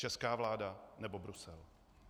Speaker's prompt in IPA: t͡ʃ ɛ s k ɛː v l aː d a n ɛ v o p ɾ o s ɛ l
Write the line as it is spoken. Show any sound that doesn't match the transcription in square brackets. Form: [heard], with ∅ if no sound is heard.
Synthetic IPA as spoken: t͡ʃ ɛ s k [aː] v l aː d a n ɛ [b] o [b] ɾ [u] s ɛ l

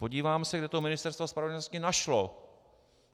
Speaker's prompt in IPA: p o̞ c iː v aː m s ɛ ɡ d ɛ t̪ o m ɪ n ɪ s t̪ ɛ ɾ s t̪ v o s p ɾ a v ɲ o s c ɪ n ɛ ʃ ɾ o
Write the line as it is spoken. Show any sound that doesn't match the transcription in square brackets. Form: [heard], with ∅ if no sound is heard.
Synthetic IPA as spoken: p o̞ [ɟ] iː v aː m s ɛ ɡ d ɛ t̪ o m ɪ n ɪ s t̪ ɛ ɾ s t̪ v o s p ɾ a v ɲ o s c ɪ n [a] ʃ [l] o

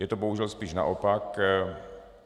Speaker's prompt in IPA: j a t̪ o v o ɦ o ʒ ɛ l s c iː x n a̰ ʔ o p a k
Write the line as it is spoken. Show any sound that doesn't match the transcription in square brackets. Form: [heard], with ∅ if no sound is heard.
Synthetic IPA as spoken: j [ɛ] t̪ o [b] o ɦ [u] ʒ ɛ l s [p] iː [ʃ] n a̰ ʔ o p a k

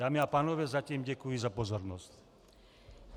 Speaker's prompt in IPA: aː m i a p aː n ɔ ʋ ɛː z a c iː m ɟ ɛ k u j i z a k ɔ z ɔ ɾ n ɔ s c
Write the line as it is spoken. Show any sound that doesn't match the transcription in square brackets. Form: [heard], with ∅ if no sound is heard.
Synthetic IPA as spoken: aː m i a p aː n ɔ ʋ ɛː z a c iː m ɟ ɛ k u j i z a [p] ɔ z ɔ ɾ n ɔ s c

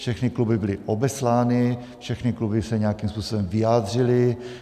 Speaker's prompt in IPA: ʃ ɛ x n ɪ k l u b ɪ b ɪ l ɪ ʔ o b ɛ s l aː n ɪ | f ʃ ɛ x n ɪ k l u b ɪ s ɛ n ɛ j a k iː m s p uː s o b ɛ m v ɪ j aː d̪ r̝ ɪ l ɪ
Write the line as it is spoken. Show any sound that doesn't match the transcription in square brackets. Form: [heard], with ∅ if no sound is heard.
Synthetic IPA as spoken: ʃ ɛ x n ɪ k l u b ɪ b ɪ l ɪ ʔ o b ɛ s l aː n ɪ | f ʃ ɛ x n ɪ k l u b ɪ s ɛ [ɲ] ɛ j a k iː m s p uː s o b ɛ m v ɪ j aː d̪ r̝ ɪ l ɪ

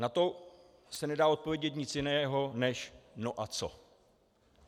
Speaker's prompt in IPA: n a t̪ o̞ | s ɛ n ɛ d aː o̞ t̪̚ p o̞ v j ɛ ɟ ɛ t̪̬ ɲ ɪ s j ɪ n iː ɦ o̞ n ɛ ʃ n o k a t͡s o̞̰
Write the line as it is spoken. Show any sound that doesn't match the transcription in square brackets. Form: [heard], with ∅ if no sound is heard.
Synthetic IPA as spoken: n a t̪ o̞ | s ɛ n ɛ d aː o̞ t̪̚ p o̞ v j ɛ ɟ ɛ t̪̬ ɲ ɪ [t͡s] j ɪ n [ɛː] ɦ o̞ n ɛ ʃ n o [ʔ] a t͡s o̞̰

